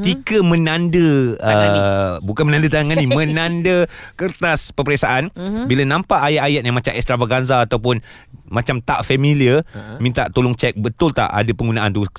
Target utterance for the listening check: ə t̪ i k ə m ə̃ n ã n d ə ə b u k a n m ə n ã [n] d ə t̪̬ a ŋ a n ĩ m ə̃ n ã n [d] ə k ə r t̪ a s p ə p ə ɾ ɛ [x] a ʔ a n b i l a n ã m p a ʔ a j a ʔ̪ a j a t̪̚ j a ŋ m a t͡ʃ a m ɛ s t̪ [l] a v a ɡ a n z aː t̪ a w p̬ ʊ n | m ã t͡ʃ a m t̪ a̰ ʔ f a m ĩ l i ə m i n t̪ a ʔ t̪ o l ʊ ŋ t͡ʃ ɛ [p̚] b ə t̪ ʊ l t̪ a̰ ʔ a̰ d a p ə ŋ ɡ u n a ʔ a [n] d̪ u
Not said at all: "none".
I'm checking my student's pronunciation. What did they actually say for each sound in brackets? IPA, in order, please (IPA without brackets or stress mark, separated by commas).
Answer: n, d, s, ɾ, k̚, n